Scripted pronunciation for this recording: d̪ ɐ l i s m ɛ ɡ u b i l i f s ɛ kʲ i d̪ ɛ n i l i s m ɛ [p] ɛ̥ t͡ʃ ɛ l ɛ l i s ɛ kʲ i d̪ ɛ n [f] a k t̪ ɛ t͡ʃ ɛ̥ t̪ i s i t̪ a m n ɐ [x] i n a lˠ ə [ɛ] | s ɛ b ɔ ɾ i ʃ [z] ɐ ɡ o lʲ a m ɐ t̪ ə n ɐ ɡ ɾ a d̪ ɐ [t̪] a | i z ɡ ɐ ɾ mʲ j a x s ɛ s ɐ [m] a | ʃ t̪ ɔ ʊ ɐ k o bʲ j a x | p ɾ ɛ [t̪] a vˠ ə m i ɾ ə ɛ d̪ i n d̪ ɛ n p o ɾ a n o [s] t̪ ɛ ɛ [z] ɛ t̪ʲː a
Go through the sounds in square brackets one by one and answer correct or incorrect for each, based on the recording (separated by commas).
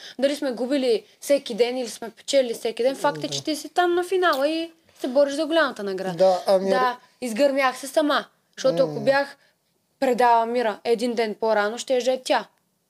correct, correct, incorrect, incorrect, correct, incorrect, correct, incorrect, incorrect, incorrect